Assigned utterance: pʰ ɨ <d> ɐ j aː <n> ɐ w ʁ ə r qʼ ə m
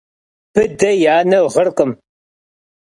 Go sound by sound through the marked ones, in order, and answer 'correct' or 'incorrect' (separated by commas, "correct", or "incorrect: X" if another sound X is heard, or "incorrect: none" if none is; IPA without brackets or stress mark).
correct, correct